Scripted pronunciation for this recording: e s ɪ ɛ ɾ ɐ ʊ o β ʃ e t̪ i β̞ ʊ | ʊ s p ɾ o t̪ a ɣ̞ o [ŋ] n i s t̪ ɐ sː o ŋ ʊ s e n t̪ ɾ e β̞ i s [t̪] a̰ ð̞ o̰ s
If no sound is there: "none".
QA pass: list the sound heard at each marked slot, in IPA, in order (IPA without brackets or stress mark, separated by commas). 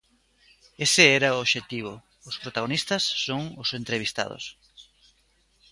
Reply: none, t̪